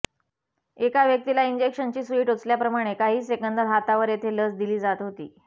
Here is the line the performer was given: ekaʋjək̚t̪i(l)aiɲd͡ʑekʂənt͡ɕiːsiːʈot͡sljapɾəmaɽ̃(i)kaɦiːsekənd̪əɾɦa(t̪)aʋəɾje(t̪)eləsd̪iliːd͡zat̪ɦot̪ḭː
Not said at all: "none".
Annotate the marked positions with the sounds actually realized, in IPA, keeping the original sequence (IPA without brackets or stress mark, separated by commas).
l, e, t̪, t̪ʰ